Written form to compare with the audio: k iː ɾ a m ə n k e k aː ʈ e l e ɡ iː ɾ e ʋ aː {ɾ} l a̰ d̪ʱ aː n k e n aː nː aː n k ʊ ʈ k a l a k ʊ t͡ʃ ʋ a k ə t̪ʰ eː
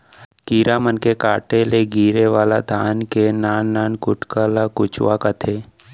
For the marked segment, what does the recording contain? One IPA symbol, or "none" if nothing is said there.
none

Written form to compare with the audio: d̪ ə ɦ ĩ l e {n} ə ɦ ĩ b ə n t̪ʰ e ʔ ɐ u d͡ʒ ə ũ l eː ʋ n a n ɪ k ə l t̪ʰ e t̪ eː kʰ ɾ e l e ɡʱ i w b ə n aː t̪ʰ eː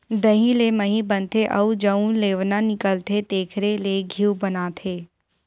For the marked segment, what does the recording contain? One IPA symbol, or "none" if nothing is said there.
m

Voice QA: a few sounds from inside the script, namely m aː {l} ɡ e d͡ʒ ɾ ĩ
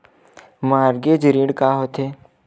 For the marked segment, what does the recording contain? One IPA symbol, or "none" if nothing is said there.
ɾ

